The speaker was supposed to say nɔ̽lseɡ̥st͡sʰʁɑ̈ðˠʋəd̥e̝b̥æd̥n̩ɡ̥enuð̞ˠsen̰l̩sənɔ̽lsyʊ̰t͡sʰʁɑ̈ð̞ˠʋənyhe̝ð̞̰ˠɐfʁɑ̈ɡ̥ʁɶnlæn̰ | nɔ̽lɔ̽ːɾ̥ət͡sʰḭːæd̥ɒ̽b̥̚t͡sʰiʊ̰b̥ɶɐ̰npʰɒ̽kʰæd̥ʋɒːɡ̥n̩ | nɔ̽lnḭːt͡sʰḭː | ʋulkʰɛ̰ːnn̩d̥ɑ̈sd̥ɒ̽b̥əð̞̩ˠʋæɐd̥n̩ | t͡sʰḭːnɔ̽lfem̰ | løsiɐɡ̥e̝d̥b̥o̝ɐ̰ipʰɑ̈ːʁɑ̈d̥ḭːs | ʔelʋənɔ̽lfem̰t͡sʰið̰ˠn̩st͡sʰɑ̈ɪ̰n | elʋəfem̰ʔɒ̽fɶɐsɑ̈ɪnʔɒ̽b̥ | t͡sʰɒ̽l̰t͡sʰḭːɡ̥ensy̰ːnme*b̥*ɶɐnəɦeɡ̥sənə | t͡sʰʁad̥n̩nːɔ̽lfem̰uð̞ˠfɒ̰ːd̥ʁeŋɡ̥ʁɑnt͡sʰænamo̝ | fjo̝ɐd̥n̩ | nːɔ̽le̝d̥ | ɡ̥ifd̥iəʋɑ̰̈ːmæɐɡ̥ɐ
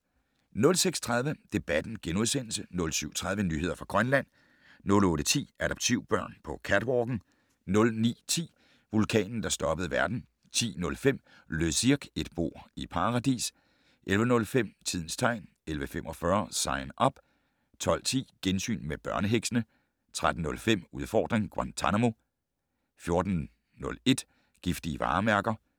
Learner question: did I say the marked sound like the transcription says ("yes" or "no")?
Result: yes